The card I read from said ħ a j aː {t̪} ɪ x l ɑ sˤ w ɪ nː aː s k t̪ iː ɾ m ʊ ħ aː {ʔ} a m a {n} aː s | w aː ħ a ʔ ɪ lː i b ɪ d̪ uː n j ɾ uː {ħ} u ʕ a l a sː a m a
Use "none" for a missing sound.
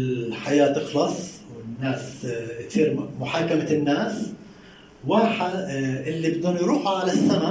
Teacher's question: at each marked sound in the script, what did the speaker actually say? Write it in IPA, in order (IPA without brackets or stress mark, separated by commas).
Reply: t̪, k, nː, ħ